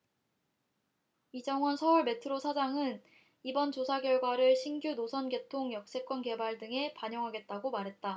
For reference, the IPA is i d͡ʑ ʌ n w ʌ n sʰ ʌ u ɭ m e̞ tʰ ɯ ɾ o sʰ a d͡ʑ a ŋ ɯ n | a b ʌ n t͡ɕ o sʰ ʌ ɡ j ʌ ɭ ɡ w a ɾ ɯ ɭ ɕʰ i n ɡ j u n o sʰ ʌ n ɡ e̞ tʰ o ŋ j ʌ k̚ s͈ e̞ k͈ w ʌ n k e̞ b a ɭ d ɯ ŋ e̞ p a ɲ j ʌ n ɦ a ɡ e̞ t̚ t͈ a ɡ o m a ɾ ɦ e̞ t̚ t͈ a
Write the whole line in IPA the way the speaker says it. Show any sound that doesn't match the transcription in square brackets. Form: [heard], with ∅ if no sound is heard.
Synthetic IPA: i d͡ʑ ʌ [ŋ] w ʌ n sʰ ʌ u ɭ m e̞ tʰ ɯ ɾ o sʰ a d͡ʑ a ŋ ɯ n | [i] b ʌ n t͡ɕ o sʰ [a] ɡ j ʌ ɭ ɡ w a ɾ ɯ ɭ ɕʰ i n ɡ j u n o sʰ ʌ n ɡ e̞ tʰ o ŋ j ʌ k̚ s͈ e̞ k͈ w ʌ n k e̞ b a ɭ d ɯ ŋ e̞ p a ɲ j ʌ [ŋ] ɦ a ɡ e̞ t̚ t͈ a ɡ o m a ɾ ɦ e̞ t̚ t͈ a